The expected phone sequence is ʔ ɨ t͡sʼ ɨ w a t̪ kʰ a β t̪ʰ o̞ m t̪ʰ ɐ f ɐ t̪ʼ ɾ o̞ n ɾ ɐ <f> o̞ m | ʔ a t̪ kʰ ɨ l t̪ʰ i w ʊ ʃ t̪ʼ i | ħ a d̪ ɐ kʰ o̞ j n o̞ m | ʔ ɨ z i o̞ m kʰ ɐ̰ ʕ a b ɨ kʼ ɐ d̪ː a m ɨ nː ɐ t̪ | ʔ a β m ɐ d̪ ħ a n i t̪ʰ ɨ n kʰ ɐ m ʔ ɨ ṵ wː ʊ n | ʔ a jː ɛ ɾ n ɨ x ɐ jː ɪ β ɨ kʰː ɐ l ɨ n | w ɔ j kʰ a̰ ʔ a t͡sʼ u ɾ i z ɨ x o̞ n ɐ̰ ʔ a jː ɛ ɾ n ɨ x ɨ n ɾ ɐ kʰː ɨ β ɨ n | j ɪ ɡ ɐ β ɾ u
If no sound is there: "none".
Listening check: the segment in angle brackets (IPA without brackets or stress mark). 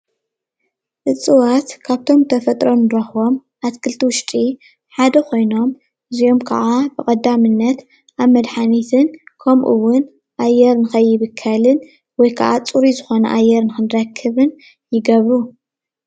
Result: x